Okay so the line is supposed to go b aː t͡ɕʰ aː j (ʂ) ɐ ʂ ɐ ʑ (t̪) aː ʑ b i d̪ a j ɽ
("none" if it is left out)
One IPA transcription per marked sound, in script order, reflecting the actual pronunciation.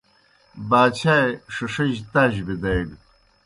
ʂ, t̪

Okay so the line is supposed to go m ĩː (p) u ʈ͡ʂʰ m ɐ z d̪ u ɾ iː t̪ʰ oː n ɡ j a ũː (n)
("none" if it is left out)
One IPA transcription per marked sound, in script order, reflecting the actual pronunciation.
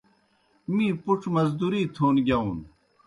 p, n

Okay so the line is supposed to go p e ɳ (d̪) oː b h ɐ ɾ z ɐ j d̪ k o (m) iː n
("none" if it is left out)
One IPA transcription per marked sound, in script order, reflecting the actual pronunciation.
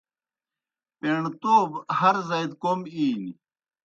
t̪, m

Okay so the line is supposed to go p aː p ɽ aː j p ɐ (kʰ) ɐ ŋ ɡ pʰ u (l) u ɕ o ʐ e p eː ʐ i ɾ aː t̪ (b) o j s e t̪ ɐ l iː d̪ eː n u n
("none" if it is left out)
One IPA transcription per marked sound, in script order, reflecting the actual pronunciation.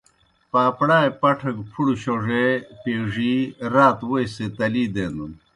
ʈʰ, ɽ, w

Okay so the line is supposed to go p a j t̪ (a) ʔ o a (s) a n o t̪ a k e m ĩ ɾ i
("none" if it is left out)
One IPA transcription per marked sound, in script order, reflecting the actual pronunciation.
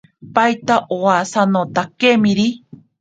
a, s

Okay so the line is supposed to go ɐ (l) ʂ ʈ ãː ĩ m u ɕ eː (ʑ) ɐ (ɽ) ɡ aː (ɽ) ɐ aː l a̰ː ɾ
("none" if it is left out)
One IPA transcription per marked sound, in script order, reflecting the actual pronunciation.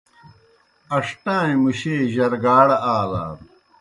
none, ʑ, ɾ, ɽ

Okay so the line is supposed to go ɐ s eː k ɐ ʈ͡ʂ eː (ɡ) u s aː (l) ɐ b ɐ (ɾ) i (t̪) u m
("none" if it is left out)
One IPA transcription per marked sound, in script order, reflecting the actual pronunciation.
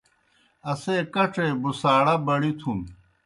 b, ɽ, ɽ, t̪ʰ

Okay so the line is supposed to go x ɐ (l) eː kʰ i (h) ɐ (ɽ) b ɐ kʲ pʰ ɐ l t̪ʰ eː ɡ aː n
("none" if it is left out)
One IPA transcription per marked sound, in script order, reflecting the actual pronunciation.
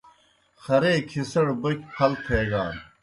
ɾ, s, ɽ

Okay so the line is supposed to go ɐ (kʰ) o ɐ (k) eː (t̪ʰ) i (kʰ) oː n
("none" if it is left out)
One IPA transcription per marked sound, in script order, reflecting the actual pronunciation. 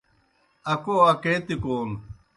k, k, t̪, k

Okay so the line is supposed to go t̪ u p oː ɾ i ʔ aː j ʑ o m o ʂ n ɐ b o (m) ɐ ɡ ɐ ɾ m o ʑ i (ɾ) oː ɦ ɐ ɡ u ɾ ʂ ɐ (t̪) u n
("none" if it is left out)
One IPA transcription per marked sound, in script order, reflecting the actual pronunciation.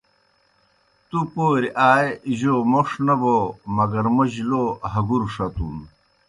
m, l, t̪

